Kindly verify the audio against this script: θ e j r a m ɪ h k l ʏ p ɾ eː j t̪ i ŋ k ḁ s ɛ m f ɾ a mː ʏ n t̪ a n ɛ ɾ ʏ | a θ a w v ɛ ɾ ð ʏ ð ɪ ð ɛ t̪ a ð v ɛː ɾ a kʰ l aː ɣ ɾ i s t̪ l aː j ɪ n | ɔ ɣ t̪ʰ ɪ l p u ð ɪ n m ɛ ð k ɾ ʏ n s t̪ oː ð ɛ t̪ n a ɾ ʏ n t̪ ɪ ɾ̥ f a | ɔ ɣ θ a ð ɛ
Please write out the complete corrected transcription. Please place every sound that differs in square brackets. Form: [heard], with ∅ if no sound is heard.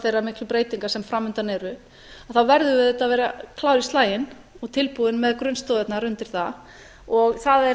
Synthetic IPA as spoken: θ e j r a m ɪ h k l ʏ p ɾ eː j t̪ i ŋ k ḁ s ɛ m f ɾ a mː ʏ n t̪ a n ɛ ɾ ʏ | a θ a w v ɛ ɾ ð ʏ [v] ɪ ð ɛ t̪ a ð v ɛː ɾ a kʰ l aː [w] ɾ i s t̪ l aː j ɪ n | ɔ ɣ t̪ʰ ɪ l p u ð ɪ n m ɛ ð k ɾ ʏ n s t̪ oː ð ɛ t̪ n a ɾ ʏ n t̪ ɪ ɾ̥ [θ] a | ɔ ɣ θ a ð ɛ

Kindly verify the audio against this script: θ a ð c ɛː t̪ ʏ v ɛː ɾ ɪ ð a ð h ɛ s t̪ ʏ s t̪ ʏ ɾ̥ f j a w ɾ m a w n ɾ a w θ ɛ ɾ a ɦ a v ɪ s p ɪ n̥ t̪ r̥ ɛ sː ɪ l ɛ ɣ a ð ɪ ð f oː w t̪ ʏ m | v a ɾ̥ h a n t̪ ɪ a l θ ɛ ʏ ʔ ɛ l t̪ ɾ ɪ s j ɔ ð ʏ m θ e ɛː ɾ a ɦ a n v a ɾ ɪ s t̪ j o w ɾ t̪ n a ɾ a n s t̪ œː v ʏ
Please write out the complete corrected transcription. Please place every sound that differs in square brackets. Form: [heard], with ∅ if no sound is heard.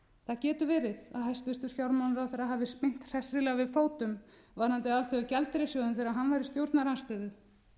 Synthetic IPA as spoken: θ a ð c ɛː t̪ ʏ v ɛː ɾ ɪ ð a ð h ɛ s t̪ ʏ s t̪ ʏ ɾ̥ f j a w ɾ m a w n ɾ a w θ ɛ ɾ a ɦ a v ɪ s p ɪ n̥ t̪ r̥ ɛ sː ɪ l ɛ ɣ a [v] ɪ ð f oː w t̪ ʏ m | v a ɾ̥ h a n t̪ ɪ a l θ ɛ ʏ [c] ɛ l t̪ ɾ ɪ s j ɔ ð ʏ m θ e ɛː ɾ a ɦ a n v a ɾ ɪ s t̪ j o w ɾ t̪ n a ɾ a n s t̪ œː [ð] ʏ

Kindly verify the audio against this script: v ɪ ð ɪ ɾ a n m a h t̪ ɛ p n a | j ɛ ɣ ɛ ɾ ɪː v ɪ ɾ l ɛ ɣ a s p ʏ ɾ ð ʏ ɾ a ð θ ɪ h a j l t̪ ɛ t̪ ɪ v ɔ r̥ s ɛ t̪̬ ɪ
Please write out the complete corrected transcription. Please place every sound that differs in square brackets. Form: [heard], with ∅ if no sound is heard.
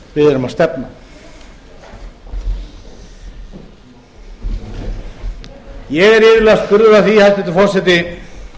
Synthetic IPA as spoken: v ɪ ð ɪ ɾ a [∅] m a [s] t̪ ɛ p n a | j ɛ ɣ ɛ ɾ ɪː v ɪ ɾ l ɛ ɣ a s p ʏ ɾ ð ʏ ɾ a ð θ [i] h a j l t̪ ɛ t̪ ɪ [f] ɔ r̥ s ɛ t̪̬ ɪ

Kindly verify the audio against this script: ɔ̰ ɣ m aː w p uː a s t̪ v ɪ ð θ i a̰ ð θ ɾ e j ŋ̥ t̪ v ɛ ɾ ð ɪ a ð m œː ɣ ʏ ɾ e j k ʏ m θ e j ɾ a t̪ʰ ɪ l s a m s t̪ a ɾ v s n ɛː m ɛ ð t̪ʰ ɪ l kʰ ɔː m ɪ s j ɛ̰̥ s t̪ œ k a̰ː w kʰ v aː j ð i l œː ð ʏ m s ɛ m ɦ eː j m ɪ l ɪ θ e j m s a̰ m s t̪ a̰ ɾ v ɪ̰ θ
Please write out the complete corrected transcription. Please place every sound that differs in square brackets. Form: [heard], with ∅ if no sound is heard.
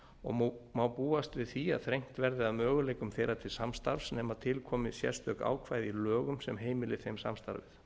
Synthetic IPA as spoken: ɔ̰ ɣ m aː w p uː a s t̪ v ɪ ð θ i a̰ ð θ ɾ e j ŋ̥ t̪ v ɛ ɾ ð ɪ a ð m œː ɣ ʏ [l] e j k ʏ m θ e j ɾ a t̪ʰ ɪ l s a m s t̪ a ɾ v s n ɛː m [a] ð t̪ʰ ɪ l kʰ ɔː m ɪ s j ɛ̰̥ s t̪ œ k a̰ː w kʰ v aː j ð i l œː [ɣ] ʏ m s ɛ m ɦ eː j m ɪ l ɪ θ e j m s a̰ m s t̪ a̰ ɾ v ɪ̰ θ

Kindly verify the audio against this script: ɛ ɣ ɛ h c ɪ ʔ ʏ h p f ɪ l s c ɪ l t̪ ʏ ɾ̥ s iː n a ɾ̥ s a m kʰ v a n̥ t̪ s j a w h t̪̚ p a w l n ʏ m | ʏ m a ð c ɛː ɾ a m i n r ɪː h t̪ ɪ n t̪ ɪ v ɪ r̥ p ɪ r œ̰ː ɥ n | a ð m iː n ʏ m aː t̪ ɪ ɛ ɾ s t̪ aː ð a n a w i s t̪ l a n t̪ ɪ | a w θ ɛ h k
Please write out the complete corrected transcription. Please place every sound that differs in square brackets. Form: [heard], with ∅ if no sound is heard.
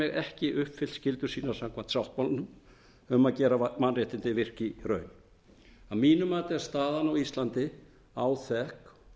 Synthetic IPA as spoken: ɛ ɣ ɛ h c ɪ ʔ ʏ h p f ɪ l s c ɪ l t̪ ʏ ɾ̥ s iː n a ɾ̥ s a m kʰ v a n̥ t̪ s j a w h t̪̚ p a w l n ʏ m | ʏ m a ð c ɛː ɾ a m [a] n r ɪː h t̪ ɪ n t̪ ɪ v ɪ r̥ [c] ɪ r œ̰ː ɥ n | a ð m iː n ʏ m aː t̪ ɪ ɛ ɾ s t̪ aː ð a n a w i s t̪ l a n t̪ ɪ | a w θ ɛ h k

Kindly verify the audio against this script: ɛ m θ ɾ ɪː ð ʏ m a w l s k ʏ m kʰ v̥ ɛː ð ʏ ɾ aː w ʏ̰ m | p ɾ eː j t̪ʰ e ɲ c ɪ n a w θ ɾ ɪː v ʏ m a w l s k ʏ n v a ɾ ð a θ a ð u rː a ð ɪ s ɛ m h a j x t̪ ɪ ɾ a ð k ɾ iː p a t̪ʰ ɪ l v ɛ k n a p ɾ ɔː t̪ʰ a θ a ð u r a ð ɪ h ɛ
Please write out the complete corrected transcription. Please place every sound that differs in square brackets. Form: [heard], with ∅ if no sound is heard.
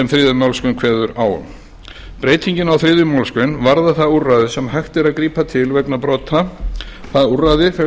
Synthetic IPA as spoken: ɛ m θ ɾ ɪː ð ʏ m a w l s k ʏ [n] kʰ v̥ ɛː ð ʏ ɾ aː w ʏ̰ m | p ɾ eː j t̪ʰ [i] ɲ c ɪ n a w θ ɾ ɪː [ð] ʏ m a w l s k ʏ n v a ɾ ð a θ a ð u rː a ð ɪ s ɛ m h a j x t̪ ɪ ɾ a ð k ɾ iː p a t̪ʰ ɪ l v ɛ k n a p ɾ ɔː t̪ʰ a θ a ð u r a ð ɪ [f] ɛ

